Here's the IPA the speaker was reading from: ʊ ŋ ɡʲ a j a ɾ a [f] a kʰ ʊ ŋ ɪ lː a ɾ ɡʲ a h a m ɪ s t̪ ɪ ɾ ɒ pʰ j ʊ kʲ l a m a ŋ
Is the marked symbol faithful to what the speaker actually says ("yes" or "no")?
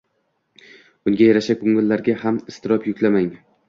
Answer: no